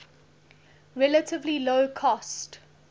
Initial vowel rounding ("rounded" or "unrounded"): unrounded